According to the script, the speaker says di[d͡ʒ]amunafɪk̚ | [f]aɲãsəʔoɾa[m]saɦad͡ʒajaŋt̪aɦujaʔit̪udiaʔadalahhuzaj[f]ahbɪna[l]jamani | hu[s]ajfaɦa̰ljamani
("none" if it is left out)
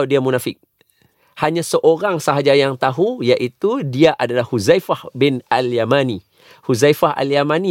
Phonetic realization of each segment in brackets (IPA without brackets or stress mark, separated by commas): none, h, ŋ, f, l, z